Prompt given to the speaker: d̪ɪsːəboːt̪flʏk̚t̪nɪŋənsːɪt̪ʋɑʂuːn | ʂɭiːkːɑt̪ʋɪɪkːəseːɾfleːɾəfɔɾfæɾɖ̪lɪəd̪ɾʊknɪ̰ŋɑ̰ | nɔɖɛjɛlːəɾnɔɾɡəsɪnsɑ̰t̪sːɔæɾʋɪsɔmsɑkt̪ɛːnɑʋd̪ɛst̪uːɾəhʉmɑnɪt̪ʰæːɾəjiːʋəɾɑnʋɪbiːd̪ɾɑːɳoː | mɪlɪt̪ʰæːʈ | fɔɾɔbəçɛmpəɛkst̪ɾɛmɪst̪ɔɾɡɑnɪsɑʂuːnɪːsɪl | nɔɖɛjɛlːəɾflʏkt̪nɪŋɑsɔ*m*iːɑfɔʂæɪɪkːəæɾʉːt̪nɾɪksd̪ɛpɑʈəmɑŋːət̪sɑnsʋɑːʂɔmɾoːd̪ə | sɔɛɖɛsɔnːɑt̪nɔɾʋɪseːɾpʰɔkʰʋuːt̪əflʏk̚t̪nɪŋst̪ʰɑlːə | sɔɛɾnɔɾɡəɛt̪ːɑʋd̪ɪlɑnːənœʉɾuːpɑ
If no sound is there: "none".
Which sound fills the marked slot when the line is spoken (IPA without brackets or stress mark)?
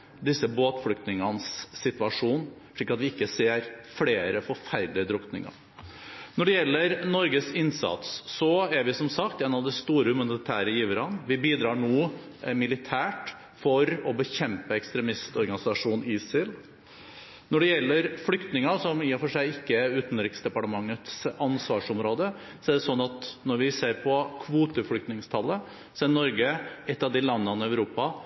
m